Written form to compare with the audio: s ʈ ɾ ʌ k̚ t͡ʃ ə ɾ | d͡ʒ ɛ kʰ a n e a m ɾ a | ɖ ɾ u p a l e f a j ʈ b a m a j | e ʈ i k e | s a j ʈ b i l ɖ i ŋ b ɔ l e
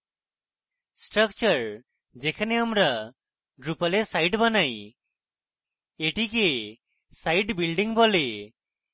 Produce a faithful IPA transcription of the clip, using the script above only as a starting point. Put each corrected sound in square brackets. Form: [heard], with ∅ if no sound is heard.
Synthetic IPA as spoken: s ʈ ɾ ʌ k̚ t͡ʃ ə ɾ | d͡ʒ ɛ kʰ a n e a m ɾ a | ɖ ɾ u p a l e [s] a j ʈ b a [n] a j | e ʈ i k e | s a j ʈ b i l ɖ i ŋ b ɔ l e